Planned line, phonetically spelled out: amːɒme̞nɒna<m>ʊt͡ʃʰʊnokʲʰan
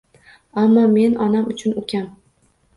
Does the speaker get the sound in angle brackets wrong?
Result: no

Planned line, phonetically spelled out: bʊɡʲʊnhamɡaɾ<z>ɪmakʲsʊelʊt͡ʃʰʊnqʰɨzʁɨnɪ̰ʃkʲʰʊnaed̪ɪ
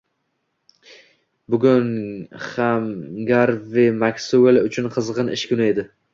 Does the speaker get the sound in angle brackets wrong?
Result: yes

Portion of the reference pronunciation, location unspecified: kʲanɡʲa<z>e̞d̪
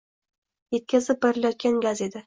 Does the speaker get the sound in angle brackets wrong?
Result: no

